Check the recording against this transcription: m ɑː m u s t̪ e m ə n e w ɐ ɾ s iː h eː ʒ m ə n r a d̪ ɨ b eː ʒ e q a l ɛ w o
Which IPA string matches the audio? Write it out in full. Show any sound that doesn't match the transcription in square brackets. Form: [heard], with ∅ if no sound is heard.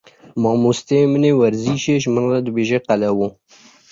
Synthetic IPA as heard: m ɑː m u s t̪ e m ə n e w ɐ ɾ [z] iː [ʃ] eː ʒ m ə n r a d̪ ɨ b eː ʒ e q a l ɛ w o